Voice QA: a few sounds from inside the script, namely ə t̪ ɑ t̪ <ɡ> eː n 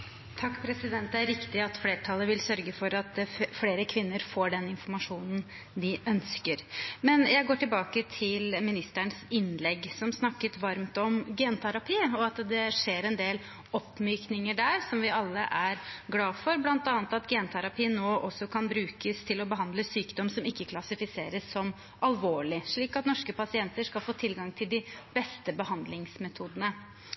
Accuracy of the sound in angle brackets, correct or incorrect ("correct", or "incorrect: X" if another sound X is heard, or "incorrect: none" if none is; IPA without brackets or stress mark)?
correct